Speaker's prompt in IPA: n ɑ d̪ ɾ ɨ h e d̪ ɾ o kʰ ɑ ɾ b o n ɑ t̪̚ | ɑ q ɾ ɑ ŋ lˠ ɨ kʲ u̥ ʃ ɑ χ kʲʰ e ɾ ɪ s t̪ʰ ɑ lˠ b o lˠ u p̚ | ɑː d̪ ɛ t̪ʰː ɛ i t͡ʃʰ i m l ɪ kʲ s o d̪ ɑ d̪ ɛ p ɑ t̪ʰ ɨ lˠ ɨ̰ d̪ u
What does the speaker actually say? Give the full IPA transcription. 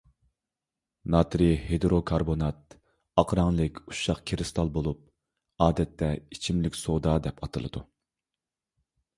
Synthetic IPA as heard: n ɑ t̪ ɾ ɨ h e d̪ ɾ o kʰ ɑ ɾ b o n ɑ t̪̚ | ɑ q ɾ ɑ ŋ lˠ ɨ kʲ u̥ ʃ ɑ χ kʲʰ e ɾ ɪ s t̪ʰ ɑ lˠ b o lˠ u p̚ | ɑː d̪ ɛ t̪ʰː ɛ i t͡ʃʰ i m l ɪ kʲ s o d̪ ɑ d̪ ɛ p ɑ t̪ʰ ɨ lˠ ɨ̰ d̪ u

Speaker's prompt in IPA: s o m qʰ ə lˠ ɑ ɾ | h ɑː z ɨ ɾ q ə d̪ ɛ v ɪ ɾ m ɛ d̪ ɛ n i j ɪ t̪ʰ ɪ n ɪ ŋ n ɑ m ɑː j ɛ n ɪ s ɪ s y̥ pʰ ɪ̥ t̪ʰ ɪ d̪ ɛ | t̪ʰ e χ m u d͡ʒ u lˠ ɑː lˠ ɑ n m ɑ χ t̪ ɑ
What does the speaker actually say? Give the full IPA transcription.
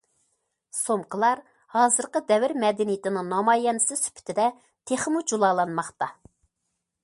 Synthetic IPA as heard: s o m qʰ ə lˠ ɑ ɾ | h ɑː z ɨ ɾ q ə d̪ ɛ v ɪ ɾ m ɛ d̪ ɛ n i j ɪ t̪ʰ ɪ n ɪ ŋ n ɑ m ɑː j ɛ n ɪ s ɪ s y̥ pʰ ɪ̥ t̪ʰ ɪ d̪ ɛ | t̪ʰ e χ m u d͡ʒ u lˠ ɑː lˠ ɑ n m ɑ χ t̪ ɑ

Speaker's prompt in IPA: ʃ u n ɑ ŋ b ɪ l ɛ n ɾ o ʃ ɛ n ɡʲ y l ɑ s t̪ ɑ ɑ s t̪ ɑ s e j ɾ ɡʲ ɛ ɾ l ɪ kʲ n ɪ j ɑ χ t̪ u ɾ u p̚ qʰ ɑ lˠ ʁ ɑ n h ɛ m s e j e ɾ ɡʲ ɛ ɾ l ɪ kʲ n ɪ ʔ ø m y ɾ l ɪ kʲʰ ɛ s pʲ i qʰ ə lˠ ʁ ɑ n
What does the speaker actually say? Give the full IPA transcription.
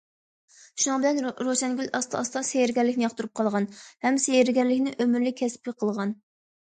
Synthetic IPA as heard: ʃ u n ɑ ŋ b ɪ l ɛ n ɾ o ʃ ɛ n ɡʲ y l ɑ s t̪ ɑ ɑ s t̪ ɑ s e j ɾ ɡʲ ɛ ɾ l ɪ kʲ n ɪ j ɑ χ t̪ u ɾ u p̚ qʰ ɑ lˠ ʁ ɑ n h ɛ m s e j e ɾ ɡʲ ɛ ɾ l ɪ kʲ n ɪ ʔ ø m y ɾ l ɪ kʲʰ ɛ s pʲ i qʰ ə lˠ ʁ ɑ n

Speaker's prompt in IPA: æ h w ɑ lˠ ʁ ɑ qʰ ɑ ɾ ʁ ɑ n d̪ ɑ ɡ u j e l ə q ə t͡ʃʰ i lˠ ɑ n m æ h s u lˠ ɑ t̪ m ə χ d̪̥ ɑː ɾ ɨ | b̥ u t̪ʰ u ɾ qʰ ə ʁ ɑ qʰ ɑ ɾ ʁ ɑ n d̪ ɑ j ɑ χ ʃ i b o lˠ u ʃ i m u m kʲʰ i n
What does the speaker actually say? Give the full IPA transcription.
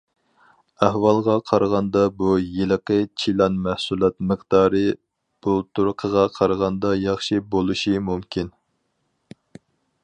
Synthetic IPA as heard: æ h w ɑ lˠ ʁ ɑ qʰ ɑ ɾ ʁ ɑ n d̪ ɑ b u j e l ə q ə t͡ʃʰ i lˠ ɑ n m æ h s u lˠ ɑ t̪ m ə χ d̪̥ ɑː ɾ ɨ | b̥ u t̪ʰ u ɾ qʰ ə ʁ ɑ qʰ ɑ ɾ ʁ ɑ n d̪ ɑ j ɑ χ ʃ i b o lˠ u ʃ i m u m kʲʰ i n

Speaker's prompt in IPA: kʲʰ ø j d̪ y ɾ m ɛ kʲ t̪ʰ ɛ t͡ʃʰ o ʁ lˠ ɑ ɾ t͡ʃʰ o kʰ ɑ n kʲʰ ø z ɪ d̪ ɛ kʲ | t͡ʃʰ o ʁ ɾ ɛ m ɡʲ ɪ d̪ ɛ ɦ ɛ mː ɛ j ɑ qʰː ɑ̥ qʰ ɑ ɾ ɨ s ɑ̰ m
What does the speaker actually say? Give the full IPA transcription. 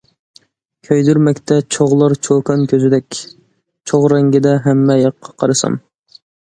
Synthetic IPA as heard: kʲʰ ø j d̪ y ɾ m ɛ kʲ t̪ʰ ɛ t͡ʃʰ o ʁ lˠ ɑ ɾ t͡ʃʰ o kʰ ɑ n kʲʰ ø z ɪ d̪ ɛ kʲ | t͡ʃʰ o ʁ ɾ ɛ ŋ ɡʲ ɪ d̪ ɛ ɦ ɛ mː ɛ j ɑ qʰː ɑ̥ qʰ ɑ ɾ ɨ s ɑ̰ m

